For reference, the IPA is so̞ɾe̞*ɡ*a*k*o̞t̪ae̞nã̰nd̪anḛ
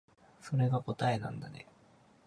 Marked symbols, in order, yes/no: yes, yes

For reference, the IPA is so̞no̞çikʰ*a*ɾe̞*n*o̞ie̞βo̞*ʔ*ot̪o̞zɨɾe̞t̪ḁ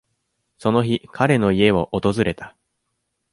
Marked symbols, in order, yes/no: yes, yes, yes

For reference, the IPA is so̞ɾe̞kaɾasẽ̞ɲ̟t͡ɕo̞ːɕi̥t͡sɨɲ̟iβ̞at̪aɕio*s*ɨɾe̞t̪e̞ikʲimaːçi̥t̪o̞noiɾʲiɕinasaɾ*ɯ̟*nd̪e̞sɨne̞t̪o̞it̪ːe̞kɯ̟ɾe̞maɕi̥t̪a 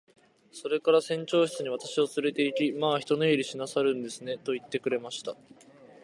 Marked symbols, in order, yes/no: no, no

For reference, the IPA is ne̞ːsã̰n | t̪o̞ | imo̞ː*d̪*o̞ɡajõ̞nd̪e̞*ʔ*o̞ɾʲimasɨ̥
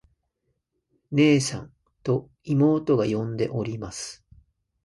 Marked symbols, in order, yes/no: no, yes

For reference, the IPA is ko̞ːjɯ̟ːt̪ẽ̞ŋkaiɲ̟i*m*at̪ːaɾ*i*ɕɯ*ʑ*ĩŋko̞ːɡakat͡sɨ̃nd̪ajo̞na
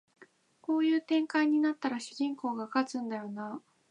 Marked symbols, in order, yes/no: no, no, yes

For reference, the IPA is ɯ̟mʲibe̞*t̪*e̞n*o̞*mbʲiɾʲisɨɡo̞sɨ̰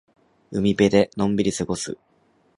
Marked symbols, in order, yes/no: no, no

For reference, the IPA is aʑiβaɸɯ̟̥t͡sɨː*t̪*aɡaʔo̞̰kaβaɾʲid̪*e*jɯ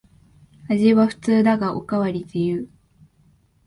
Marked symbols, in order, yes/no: no, yes

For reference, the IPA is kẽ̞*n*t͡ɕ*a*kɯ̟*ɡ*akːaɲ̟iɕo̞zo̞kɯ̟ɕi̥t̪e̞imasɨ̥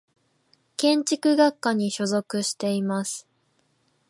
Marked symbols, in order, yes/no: no, no, yes

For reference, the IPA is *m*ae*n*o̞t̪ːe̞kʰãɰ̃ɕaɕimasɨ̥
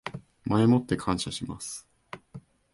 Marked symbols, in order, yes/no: yes, no

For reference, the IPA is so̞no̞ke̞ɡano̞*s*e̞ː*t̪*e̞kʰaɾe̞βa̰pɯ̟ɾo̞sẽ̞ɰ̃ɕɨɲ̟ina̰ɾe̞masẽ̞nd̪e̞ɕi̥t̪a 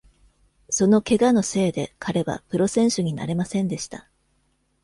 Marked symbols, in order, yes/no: yes, no

